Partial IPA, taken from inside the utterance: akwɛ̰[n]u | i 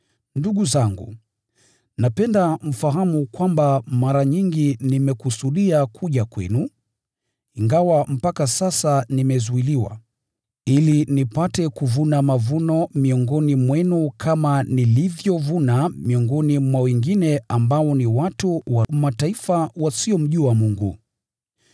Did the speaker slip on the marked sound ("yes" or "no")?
no